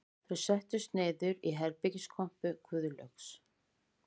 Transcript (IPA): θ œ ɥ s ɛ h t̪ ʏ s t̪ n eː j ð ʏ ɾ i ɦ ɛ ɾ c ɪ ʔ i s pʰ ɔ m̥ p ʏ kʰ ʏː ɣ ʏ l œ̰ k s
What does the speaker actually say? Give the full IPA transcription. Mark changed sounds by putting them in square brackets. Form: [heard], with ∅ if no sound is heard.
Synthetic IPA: θ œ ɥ s ɛ h t̪ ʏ s t̪ n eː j ð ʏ ɾ i ɦ ɛ ɾ [p] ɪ [c] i s [kʰ] ɔ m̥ p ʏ kʰ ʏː [ð] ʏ l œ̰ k s